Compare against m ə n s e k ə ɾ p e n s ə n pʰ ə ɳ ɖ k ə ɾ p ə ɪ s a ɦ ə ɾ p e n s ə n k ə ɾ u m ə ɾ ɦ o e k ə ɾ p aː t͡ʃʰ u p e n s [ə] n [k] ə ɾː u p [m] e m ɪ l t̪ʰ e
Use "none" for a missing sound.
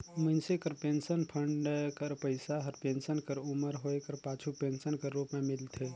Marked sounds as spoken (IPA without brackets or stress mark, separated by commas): ə, k, m